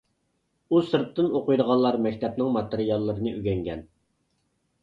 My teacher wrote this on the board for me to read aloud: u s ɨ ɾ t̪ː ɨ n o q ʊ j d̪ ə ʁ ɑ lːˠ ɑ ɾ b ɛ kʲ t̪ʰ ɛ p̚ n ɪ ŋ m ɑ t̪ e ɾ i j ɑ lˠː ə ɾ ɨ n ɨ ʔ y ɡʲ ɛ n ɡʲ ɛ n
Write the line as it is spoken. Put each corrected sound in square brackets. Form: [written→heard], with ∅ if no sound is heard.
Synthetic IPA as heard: u s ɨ ɾ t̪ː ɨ n o q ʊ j d̪ ə ʁ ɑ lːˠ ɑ ɾ [b→m] ɛ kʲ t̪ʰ ɛ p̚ n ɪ ŋ m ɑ t̪ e ɾ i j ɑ lˠː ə ɾ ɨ n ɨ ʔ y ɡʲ ɛ [n→ŋ] ɡʲ ɛ n